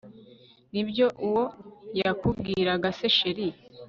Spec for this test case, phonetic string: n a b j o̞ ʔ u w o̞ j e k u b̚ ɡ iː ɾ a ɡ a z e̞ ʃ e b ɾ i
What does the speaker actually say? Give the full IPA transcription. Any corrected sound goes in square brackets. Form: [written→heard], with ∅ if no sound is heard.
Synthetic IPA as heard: n [a→i] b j o̞ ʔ u w o̞ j [e→a] k u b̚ ɡ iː ɾ a ɡ a [z→s] e̞ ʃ e [b→∅] ɾ i